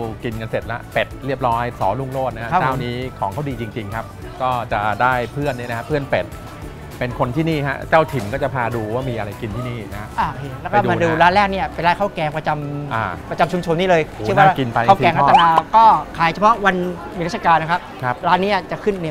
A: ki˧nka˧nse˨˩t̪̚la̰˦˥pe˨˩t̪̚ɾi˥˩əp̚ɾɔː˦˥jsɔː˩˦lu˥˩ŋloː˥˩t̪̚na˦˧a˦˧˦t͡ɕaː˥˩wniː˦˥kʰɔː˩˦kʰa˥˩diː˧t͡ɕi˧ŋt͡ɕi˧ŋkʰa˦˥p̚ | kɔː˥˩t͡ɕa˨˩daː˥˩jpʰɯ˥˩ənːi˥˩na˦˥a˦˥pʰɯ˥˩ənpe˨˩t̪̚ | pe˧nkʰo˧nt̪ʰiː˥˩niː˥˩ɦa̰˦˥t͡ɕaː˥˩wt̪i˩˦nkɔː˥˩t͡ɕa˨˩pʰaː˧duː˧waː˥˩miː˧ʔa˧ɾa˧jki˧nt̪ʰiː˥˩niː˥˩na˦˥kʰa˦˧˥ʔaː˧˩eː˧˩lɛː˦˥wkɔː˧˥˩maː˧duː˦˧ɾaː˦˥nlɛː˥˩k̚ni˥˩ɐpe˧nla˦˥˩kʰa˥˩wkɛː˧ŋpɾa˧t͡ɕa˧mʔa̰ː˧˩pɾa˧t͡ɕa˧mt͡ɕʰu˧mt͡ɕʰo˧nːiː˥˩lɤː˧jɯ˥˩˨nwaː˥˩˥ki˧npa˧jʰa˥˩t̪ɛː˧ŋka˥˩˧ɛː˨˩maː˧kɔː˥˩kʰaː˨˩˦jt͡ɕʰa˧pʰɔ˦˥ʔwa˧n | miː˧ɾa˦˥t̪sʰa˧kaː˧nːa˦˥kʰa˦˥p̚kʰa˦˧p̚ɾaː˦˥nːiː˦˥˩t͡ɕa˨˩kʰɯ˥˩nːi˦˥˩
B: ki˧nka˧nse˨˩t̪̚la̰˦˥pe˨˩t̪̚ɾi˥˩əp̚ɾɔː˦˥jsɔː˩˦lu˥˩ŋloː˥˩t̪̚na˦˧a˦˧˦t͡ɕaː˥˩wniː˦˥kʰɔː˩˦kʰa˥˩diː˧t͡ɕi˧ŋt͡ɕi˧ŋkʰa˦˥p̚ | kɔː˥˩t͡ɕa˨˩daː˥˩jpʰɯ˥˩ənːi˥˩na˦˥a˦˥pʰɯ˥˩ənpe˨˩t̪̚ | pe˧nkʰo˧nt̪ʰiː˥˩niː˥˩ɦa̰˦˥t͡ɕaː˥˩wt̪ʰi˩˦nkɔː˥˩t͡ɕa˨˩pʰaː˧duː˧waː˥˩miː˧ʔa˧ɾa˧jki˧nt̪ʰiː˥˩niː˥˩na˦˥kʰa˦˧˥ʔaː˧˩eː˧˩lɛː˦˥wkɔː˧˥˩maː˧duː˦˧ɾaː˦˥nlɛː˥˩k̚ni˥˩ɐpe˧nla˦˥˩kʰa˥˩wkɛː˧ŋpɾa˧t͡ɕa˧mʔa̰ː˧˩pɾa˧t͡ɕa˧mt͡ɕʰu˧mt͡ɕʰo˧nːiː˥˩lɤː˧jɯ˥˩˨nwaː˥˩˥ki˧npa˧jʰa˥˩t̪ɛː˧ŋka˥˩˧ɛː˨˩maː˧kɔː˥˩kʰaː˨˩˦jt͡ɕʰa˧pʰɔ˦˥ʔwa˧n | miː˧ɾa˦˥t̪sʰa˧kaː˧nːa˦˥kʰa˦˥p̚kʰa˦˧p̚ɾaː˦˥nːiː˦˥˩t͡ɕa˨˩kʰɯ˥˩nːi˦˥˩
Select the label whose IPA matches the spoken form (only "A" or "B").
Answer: B